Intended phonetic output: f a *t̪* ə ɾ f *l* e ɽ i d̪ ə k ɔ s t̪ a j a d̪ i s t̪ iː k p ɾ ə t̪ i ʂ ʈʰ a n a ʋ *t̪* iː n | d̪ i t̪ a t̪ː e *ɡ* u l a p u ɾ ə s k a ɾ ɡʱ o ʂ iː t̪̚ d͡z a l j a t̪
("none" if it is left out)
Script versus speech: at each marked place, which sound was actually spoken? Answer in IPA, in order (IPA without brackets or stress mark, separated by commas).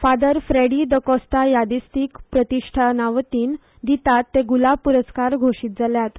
d̪, ɾ, t̪, ɡ